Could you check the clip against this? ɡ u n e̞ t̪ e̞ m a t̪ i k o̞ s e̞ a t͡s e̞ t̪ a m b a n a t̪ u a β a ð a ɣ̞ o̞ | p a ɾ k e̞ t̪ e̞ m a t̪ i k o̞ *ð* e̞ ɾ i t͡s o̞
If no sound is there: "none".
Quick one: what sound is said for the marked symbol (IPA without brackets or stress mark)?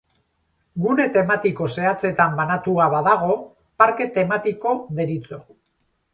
ð